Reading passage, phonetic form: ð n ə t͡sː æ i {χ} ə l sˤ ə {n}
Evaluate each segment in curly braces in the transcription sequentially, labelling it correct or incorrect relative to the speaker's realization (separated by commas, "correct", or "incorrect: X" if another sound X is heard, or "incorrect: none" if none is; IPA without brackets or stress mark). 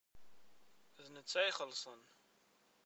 correct, correct